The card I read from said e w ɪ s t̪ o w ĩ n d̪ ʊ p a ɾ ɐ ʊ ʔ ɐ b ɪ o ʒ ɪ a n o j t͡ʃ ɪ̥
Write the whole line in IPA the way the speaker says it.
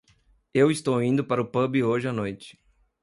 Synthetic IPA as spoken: e w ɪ s t̪ o w ĩ n d̪ ʊ p a ɾ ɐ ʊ p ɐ b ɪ o ʒ ɪ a n o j t͡ʃ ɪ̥